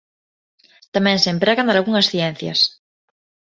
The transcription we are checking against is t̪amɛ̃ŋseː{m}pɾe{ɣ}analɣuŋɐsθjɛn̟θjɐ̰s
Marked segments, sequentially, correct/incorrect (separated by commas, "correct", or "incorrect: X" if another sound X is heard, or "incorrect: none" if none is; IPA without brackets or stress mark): correct, correct